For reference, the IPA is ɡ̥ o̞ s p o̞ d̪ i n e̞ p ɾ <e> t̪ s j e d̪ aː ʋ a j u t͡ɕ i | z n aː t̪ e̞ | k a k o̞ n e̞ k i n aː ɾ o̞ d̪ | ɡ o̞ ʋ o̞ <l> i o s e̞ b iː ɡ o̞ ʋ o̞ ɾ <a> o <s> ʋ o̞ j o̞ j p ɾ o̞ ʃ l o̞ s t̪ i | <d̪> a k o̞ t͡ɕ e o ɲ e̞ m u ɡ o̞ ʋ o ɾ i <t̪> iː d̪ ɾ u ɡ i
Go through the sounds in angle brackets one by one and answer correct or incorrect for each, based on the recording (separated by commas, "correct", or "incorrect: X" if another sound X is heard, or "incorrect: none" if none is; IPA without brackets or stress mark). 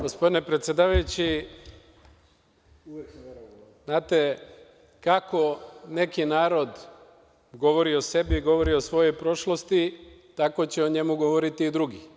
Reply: correct, incorrect: ɾ, incorrect: i, correct, incorrect: t̪, correct